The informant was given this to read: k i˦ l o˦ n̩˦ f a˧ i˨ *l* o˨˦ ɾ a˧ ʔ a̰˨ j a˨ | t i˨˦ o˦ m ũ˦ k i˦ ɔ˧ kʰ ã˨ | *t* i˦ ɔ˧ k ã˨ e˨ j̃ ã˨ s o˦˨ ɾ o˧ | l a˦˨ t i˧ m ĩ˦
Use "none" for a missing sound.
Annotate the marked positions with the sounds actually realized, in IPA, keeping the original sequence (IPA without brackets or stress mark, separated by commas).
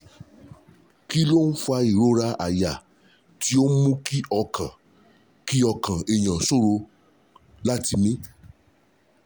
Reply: ɾ, k